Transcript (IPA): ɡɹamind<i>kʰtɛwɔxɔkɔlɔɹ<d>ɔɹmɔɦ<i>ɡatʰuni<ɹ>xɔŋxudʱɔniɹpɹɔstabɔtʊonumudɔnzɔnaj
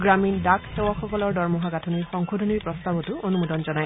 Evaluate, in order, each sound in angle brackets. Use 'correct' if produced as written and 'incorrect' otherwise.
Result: incorrect: a, correct, incorrect: a, correct

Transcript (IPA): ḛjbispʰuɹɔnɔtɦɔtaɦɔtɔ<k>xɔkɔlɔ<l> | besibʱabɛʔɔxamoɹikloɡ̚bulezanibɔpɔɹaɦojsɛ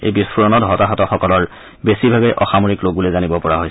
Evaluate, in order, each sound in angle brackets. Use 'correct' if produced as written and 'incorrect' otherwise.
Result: incorrect: none, incorrect: ɹ

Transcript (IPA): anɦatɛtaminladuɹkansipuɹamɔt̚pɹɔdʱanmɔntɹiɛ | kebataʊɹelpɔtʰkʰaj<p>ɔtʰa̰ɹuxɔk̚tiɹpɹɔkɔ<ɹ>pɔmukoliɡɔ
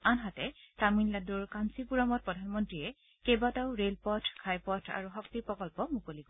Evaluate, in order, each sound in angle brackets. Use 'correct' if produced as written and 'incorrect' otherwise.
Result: correct, incorrect: l

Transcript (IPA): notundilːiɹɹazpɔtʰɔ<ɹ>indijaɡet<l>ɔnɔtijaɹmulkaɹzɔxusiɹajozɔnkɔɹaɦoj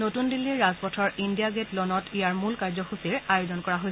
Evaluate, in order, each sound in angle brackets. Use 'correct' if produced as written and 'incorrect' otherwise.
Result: correct, correct

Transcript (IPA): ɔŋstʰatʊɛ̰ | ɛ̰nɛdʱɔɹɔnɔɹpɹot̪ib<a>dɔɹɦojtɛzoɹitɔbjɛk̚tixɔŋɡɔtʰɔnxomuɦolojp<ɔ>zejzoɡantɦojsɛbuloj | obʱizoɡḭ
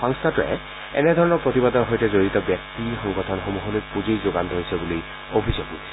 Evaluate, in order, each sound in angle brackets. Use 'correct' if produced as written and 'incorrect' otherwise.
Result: correct, incorrect: u

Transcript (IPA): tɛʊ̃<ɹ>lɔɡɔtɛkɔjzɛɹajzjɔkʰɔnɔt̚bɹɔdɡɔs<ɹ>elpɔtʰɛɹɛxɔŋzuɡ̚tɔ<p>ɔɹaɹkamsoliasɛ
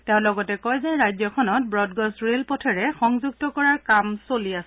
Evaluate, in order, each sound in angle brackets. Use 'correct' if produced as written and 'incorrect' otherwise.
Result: incorrect: none, correct, incorrect: k

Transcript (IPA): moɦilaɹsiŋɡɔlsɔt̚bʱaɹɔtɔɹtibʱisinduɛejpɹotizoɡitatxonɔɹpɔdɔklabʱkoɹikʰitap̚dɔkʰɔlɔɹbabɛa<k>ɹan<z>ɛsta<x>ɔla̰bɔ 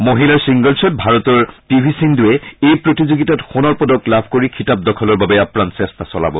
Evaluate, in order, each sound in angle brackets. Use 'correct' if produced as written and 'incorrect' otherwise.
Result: incorrect: p, incorrect: s, incorrect: s

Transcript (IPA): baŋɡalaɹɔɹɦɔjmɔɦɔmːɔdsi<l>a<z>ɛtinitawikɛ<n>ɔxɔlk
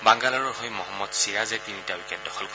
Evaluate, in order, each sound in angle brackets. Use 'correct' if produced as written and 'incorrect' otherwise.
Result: incorrect: ɹ, correct, incorrect: d

